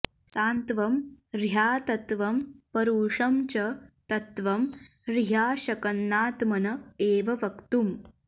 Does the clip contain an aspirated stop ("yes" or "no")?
no